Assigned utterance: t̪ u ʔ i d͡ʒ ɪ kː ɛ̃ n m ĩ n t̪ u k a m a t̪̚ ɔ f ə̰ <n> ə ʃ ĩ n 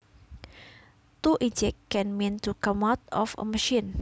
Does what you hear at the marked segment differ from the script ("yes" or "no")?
yes